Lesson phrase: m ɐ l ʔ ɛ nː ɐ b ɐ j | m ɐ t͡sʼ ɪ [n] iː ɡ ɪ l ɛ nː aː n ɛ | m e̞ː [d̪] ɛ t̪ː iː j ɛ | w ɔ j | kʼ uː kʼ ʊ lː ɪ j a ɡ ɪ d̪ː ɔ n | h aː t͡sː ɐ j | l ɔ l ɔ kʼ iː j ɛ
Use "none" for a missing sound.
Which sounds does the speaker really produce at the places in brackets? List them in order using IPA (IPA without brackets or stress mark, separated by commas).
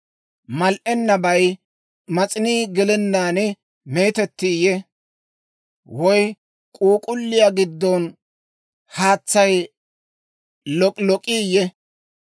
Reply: n, t̪